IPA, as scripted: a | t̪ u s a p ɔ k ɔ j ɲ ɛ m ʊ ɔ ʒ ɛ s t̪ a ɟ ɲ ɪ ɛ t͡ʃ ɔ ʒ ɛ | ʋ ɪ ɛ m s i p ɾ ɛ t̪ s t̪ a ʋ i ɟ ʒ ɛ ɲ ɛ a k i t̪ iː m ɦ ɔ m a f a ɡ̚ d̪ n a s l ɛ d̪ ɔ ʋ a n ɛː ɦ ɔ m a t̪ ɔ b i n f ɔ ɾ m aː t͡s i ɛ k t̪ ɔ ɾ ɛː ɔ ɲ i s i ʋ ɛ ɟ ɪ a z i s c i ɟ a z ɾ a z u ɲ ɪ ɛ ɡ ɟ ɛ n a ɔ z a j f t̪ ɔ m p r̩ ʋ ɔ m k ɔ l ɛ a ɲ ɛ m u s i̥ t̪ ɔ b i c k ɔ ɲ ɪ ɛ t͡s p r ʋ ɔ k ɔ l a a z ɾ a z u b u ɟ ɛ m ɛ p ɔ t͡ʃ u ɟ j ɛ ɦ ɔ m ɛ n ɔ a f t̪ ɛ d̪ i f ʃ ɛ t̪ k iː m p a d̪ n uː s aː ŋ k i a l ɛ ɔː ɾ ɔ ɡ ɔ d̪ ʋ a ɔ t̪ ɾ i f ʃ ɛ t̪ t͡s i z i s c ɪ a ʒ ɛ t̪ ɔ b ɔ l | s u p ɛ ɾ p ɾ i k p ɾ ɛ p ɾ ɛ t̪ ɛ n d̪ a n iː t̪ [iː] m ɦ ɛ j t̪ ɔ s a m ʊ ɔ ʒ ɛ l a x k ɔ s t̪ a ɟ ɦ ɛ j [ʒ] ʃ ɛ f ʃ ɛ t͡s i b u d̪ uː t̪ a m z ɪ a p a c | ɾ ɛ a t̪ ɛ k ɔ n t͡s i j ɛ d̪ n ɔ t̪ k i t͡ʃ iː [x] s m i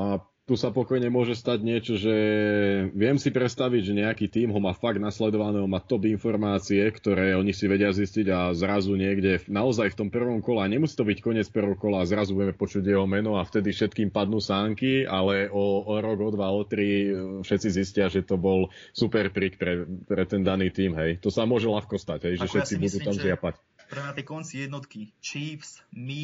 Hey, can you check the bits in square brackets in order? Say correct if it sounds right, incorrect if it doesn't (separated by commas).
correct, correct, incorrect